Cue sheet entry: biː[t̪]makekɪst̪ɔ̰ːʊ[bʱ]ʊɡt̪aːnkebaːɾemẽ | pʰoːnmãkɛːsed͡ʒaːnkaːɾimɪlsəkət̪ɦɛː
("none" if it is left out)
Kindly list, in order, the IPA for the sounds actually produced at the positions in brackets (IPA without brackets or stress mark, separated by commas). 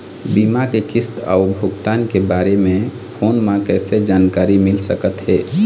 none, bʱ